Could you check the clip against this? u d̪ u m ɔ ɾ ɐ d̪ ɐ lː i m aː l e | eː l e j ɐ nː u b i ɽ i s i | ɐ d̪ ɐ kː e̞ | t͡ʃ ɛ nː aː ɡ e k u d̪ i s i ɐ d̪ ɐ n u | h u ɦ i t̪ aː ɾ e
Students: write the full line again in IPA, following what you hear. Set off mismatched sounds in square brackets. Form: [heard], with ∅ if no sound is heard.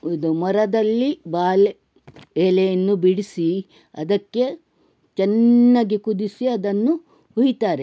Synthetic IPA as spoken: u d̪ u m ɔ ɾ ɐ d̪ ɐ lː i [b] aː l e | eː l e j ɐ nː u b i ɽ i s i | ɐ d̪ ɐ kː e̞ | t͡ʃ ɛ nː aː ɡ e k u d̪ i s i ɐ d̪ ɐ [nː] u | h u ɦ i t̪ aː ɾ e